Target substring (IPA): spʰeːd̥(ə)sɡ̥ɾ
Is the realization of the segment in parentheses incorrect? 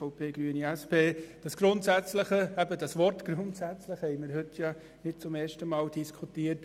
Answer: yes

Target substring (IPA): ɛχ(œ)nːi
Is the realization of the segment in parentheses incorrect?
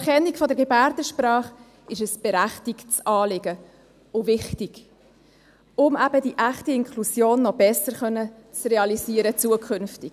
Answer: yes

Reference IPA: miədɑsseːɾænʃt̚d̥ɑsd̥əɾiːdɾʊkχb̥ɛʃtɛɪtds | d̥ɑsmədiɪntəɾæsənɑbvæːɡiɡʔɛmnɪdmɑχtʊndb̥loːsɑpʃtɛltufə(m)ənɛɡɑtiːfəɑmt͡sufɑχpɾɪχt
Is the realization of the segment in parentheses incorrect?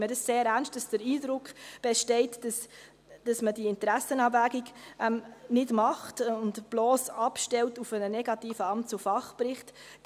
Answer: yes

